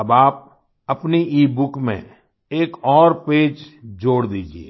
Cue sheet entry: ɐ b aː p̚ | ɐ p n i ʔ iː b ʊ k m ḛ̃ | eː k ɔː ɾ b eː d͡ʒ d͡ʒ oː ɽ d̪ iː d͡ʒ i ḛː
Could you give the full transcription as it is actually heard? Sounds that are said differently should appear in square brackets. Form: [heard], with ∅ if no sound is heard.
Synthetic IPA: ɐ b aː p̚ | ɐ p n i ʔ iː b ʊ k m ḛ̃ | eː k ɔː ɾ [p] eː d͡ʒ d͡ʒ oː ɽ d̪ iː d͡ʒ i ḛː

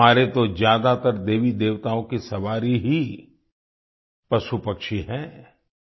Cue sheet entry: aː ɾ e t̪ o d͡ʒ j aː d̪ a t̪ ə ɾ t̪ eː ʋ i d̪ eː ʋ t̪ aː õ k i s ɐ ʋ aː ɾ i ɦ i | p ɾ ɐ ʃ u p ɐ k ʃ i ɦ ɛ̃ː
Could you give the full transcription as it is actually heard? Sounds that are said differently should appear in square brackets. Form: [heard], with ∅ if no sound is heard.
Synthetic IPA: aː ɾ e t̪ o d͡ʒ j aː d̪ a t̪ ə ɾ [d̪] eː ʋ i d̪ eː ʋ t̪ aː õ k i s ɐ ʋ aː ɾ i ɦ i | p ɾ ɐ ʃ u p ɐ k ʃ i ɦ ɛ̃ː

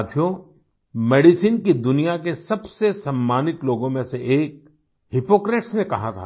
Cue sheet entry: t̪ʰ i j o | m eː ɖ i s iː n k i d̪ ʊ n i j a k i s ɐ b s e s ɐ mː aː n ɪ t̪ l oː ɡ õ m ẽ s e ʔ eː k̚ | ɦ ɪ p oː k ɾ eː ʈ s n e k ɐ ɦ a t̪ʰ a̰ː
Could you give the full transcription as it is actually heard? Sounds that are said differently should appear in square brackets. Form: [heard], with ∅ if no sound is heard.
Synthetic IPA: t̪ʰ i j o | m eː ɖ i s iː n k i d̪ ʊ n i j a k [e] s ɐ b s e s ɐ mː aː n ɪ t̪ l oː ɡ õ m ẽ s e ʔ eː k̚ | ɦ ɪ p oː k ɾ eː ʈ s n e k ɐ ɦ a t̪ʰ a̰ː

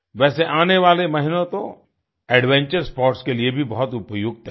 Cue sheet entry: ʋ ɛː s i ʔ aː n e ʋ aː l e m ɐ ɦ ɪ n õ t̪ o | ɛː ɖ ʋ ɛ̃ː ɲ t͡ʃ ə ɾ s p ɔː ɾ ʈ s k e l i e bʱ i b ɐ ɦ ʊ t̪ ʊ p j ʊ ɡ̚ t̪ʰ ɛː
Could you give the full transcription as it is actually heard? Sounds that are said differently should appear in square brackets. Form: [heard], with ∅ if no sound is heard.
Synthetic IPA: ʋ ɛː s [e] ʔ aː n e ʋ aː l e m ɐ ɦ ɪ n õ t̪ o | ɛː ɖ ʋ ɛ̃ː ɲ t͡ʃ ə ɾ s p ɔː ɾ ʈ s k e l i e bʱ i b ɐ ɦ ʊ t̪ ʊ p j ʊ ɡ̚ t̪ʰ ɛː

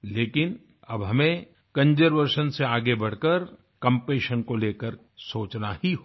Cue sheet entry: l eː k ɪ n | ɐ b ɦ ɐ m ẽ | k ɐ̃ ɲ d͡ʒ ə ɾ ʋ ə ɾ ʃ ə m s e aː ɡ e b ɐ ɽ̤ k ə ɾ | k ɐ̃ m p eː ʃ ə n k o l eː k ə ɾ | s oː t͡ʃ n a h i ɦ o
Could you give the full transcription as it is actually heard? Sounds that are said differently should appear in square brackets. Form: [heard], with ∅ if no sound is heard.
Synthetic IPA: l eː k ɪ n | ɐ b ɦ ɐ m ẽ | k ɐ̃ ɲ d͡ʒ ə ɾ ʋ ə ɾ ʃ ə [n] s e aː ɡ e b ɐ ɽ̤ k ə ɾ | k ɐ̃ m p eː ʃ ə n k o l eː k ə ɾ | s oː t͡ʃ n a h i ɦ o

